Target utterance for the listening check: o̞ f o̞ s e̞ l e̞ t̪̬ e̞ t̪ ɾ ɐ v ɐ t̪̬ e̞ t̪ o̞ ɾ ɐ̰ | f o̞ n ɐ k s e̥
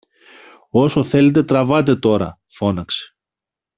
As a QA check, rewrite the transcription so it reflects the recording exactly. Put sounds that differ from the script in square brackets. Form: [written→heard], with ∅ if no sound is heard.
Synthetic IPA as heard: o̞ [f→s] o̞ [s→θ] e̞ l e̞ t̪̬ e̞ t̪ ɾ ɐ v ɐ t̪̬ e̞ t̪ o̞ ɾ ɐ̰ | f o̞ n ɐ k s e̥